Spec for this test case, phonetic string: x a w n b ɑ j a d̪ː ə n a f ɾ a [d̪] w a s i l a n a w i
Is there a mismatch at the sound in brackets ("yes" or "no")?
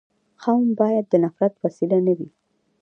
yes